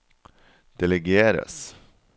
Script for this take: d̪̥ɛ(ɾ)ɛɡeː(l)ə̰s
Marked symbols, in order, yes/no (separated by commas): no, no